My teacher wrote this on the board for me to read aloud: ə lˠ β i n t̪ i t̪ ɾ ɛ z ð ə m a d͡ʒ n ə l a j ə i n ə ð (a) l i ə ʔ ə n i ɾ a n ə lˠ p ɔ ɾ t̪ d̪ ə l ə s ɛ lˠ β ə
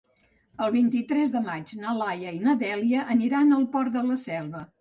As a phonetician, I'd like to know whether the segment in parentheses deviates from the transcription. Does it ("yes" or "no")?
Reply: yes